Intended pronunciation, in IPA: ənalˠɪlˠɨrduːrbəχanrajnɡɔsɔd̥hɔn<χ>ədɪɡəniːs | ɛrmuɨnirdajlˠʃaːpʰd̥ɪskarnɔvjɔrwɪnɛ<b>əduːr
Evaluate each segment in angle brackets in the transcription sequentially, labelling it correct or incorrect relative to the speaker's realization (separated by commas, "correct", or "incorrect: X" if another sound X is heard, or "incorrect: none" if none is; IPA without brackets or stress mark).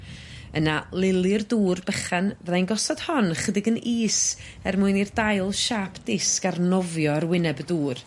correct, correct